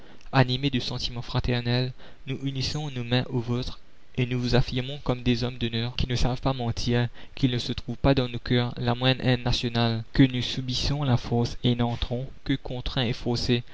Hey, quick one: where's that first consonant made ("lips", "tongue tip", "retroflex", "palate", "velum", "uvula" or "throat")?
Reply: tongue tip